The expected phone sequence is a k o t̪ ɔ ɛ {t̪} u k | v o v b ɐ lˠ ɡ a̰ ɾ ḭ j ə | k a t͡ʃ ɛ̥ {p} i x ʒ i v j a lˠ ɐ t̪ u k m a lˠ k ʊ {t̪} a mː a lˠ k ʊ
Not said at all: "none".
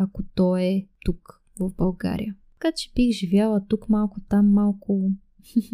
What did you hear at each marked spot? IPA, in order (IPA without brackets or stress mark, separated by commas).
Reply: t̪, b, t̪